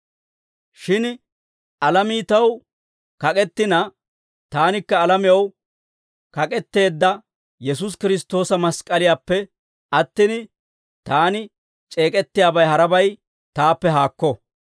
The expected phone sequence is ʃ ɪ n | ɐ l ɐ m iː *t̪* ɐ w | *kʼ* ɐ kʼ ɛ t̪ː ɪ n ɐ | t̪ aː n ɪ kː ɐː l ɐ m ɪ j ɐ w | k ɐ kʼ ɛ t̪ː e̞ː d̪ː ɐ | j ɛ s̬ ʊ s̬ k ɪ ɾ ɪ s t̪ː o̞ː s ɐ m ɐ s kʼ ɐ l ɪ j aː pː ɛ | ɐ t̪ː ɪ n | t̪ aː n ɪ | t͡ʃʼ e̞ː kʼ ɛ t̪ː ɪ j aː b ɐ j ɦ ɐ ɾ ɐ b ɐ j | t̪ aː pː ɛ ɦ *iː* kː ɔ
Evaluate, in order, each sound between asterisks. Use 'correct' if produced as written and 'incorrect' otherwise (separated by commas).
correct, incorrect, incorrect